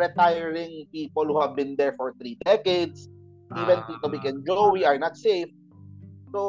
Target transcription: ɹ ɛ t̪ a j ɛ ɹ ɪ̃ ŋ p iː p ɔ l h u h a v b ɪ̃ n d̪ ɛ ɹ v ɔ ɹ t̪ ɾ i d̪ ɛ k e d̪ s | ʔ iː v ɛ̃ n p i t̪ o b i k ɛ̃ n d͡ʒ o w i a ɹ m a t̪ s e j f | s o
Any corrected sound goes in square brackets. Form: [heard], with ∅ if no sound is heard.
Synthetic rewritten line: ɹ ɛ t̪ a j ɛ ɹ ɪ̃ ŋ p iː p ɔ l h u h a v b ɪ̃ n d̪ ɛ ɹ [f] ɔ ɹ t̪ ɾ i d̪ ɛ k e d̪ s | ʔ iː v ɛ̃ n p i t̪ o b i k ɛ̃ n d͡ʒ o w i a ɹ [n] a t̪ s e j f | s o